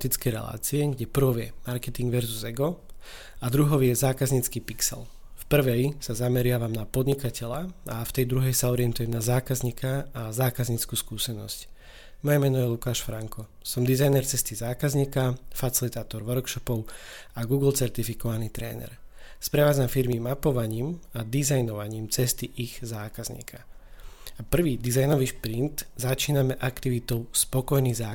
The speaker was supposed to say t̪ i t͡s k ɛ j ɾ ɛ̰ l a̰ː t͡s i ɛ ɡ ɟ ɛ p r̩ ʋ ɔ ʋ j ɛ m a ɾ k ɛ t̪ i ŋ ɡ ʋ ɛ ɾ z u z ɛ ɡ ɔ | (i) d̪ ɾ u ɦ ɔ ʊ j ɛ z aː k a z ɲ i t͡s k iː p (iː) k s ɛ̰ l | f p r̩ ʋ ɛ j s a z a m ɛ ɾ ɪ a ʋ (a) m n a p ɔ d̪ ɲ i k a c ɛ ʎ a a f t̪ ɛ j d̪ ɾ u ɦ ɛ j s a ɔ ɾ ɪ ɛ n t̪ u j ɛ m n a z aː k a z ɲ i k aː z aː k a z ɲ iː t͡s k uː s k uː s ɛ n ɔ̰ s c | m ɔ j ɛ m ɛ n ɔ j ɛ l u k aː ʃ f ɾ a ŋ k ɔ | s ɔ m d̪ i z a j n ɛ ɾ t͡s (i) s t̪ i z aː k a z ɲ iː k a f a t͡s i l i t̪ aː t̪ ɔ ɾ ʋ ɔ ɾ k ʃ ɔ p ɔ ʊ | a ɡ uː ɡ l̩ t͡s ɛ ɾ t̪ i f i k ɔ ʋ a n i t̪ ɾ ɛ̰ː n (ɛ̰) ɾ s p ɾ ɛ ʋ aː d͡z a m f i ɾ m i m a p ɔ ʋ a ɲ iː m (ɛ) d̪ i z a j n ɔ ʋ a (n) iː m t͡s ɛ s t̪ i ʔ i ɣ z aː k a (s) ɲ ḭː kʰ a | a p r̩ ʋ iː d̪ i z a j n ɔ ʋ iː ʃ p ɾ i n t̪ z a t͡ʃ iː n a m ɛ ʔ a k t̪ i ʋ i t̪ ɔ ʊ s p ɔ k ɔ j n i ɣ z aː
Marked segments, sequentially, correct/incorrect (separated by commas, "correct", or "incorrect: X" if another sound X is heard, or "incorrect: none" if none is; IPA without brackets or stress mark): incorrect: a, incorrect: i, correct, incorrect: ɛ, correct, incorrect: a, incorrect: ɲ, incorrect: z